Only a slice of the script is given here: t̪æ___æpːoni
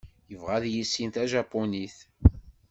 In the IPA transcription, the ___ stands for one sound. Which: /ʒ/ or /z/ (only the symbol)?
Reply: ʒ